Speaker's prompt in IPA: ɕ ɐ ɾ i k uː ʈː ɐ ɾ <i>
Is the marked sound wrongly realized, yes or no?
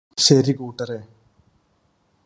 yes